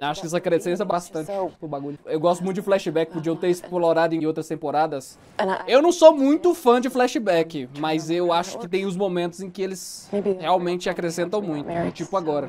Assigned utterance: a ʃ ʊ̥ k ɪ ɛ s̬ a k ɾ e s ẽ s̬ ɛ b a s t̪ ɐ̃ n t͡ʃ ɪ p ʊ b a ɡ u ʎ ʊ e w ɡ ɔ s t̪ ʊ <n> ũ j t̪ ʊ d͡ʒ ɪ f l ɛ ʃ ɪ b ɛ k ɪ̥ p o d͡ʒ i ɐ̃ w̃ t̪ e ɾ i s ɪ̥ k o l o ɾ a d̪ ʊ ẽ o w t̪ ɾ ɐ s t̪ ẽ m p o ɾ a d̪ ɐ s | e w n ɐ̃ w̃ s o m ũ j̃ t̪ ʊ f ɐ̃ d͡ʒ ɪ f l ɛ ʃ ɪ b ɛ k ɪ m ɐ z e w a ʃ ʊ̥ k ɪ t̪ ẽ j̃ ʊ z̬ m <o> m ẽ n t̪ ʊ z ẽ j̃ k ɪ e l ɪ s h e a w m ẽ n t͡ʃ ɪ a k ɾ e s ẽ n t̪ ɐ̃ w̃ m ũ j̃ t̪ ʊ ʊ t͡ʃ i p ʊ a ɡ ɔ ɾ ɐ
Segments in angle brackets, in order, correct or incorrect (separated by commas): incorrect, correct